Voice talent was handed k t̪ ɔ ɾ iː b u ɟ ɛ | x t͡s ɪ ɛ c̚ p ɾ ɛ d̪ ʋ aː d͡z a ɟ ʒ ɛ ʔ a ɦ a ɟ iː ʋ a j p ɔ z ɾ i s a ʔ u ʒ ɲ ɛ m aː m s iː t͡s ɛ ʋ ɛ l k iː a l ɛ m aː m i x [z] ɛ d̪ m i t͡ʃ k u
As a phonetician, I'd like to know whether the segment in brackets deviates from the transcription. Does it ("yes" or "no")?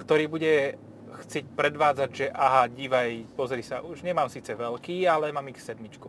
yes